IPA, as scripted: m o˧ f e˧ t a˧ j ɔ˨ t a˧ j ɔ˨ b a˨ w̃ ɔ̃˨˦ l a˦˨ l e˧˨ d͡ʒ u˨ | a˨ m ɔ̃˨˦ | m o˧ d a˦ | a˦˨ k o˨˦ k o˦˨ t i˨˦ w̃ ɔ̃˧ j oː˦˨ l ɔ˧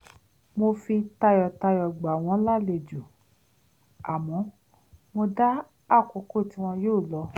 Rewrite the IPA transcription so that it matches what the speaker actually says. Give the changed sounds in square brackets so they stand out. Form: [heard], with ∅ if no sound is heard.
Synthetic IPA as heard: m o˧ f [i˧] t a˧ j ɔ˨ t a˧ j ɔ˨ [ɡ͡b] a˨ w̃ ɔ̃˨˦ l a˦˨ l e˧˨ d͡ʒ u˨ | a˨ m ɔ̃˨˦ | m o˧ d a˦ | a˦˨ k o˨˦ k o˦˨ t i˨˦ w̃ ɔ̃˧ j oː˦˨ l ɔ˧